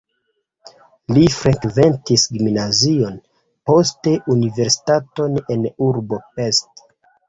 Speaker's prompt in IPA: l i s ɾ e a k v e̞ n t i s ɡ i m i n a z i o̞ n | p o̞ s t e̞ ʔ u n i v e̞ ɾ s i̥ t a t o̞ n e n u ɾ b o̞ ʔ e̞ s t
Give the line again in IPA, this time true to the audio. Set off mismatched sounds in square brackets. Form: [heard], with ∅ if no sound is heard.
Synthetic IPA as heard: l i [f] ɾ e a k v e̞ n t i s ɡ i m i n a z i o̞ n | p o̞ s t e̞ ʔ u n i v e̞ ɾ s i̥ t a t o̞ n e n u ɾ b o̞ [p] e̞ s t